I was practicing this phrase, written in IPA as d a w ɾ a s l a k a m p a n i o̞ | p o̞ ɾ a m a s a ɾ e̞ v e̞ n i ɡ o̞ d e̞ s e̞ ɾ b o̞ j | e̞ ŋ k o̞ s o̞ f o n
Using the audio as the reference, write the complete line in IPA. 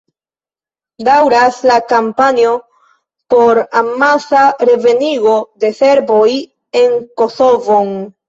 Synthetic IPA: d a w ɾ a s l a k a m p a n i o̞ | p o̞ ɾ a m a s a ɾ e̞ v e̞ n i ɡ o̞ d e̞ s e̞ ɾ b o̞ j | e̞ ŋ k o̞ s o̞ v o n